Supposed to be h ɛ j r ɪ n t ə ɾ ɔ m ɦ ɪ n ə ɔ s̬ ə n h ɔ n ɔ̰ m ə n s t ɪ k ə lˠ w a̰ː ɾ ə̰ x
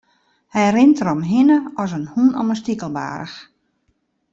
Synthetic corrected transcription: h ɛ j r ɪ n t ə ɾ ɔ m ɦ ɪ n ə ɔ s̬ ə n h u n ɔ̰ m ə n s t i k ə lˠ b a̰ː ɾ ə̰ x